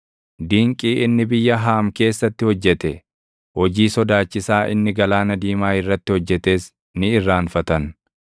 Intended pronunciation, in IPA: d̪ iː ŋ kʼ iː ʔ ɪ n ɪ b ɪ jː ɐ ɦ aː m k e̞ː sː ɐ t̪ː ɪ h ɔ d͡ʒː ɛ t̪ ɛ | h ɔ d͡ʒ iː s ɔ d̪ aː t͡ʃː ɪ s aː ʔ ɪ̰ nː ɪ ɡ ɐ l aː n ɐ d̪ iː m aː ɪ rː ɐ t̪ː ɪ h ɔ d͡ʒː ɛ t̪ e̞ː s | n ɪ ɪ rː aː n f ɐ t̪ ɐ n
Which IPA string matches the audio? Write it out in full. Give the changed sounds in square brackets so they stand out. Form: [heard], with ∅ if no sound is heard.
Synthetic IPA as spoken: d̪ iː ŋ kʼ iː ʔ ɪ [nː] ɪ b ɪ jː ɐ ɦ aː m k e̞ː sː ɐ t̪ː ɪ h ɔ d͡ʒː ɛ t̪ ɛ | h ɔ d͡ʒ iː s ɔ d̪ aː t͡ʃː ɪ s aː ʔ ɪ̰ nː ɪ ɡ ɐ l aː n ɐ d̪ iː m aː ɪ rː ɐ t̪ː ɪ h ɔ d͡ʒː ɛ t̪ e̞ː s | n ɪ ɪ rː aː n f ɐ t̪ ɐ n